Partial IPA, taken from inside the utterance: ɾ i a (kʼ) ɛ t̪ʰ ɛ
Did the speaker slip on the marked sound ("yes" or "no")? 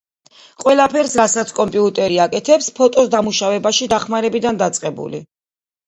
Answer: no